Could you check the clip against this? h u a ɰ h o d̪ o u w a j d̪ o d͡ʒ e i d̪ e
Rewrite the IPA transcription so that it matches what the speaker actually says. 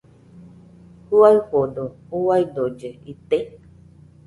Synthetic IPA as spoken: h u a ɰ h o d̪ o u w a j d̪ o d͡ʒ e i t̪ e